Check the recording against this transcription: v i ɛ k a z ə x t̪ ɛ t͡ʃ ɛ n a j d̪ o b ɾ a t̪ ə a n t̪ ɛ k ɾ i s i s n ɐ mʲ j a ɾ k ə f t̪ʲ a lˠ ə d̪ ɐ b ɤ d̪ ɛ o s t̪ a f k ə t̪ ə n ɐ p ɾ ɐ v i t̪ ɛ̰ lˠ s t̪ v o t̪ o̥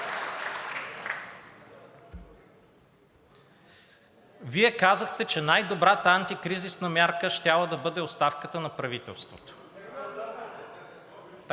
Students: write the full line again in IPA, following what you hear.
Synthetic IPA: v i ɛ k a z ə x t̪ ɛ t͡ʃ ɛ n a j d̪ o b ɾ a t̪ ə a n t̪ i k ɾ i z i s n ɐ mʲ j a ɾ k ə ʃ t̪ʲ a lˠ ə d̪ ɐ b ɤ d̪ ɛ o s t̪ a f k ə t̪ ə n ɐ p ɾ ɐ v i t̪ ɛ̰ lˠ s t̪ v o t̪ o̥